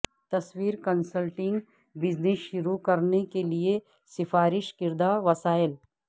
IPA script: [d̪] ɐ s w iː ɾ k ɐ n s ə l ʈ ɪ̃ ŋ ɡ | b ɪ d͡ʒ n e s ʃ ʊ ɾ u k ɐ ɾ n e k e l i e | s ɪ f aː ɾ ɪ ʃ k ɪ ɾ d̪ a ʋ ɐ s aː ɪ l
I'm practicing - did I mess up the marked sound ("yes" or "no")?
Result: yes